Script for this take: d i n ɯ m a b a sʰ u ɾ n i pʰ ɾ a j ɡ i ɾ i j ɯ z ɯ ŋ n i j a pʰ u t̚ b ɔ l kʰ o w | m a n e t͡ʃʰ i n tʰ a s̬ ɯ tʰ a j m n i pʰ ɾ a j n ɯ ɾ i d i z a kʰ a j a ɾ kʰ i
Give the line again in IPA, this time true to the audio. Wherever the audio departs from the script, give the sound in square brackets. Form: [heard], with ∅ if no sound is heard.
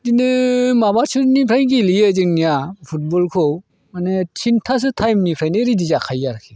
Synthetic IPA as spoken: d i n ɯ m a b a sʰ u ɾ n i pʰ ɾ a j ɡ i [l] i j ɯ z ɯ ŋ n i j a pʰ u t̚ b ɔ l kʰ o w | m a n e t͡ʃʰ i n tʰ a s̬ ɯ tʰ a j m n i pʰ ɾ a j n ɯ ɾ i d i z a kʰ a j a ɾ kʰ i